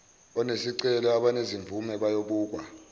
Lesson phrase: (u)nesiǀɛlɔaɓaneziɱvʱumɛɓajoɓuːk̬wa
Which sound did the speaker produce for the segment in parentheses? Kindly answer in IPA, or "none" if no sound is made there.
ɔ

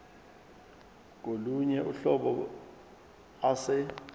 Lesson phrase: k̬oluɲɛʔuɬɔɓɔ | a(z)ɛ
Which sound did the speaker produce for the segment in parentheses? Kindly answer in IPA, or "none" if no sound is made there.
s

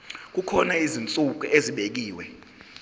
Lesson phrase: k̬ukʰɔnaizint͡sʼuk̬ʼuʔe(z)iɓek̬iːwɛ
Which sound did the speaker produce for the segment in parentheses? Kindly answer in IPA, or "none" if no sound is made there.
z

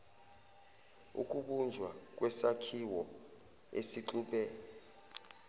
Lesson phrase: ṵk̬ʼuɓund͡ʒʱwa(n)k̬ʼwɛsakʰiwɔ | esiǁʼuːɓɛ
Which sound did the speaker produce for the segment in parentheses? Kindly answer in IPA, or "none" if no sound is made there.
none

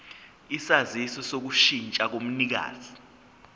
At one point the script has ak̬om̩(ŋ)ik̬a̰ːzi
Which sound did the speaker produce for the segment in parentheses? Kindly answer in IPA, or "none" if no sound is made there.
n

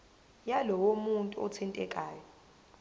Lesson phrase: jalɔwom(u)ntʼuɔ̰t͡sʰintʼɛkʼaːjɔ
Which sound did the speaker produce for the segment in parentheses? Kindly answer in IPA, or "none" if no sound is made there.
u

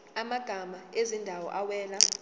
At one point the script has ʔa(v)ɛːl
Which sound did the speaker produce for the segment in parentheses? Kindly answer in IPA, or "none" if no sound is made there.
w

